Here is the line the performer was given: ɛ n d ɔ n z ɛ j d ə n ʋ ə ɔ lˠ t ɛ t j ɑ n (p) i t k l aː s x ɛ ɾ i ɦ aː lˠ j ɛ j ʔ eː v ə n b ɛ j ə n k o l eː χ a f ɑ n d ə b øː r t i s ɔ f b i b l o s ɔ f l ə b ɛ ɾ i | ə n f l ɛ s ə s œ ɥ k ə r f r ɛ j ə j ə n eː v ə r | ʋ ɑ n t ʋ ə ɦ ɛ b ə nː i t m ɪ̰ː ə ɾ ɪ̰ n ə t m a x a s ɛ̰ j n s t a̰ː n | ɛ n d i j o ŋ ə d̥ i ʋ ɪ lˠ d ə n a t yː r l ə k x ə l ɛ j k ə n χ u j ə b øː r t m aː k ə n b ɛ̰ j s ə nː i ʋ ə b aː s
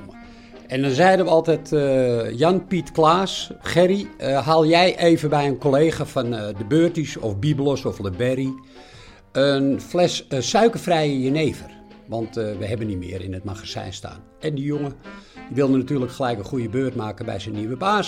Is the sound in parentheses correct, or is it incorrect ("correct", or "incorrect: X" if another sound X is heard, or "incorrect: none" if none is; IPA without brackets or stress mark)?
correct